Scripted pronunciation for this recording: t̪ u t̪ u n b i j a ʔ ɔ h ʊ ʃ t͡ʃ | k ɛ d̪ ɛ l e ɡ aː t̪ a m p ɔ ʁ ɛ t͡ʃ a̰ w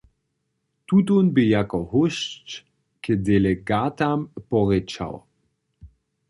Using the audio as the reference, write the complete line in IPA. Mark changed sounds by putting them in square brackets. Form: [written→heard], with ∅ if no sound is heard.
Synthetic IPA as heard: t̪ u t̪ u n b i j a [ʔ→k] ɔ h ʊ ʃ t͡ʃ | k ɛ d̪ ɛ l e ɡ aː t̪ a m p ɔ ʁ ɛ t͡ʃ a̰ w